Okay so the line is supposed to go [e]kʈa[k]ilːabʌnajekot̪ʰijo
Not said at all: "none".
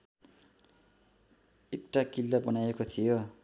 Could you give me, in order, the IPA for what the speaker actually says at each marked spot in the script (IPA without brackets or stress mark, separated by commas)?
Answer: e, k